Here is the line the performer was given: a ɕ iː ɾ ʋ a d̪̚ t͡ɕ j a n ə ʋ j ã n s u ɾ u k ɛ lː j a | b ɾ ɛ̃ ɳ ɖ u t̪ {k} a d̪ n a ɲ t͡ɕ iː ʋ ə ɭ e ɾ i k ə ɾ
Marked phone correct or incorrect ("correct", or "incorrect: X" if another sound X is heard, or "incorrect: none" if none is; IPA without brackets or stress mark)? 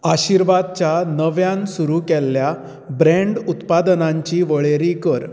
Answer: incorrect: p